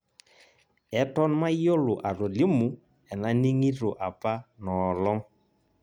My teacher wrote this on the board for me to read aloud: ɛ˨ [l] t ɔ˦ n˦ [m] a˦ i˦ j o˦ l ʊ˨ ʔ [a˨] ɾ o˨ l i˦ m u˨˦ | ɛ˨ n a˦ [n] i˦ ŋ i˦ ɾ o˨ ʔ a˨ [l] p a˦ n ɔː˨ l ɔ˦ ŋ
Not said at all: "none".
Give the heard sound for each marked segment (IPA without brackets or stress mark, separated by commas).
none, m, a˨, n, none